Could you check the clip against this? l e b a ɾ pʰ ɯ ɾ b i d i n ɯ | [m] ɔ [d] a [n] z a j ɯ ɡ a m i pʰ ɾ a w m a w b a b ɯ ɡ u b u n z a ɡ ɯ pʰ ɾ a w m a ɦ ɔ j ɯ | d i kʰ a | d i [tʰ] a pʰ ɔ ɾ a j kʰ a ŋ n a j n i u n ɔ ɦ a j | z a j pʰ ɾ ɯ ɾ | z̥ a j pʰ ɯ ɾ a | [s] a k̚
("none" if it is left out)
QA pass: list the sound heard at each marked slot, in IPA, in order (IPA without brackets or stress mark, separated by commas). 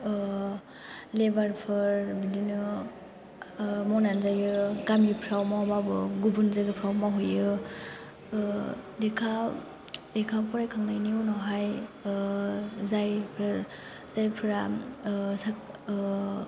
m, n, n, kʰ, s